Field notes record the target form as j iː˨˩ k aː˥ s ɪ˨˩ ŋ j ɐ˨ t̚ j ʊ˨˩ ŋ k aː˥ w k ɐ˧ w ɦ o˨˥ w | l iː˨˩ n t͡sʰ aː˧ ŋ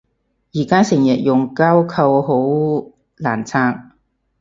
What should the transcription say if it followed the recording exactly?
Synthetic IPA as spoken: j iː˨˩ k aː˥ s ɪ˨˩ ŋ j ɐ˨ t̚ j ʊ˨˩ ŋ k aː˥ w kʰ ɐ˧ w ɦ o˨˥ w | l aː˨˩ n t͡sʰ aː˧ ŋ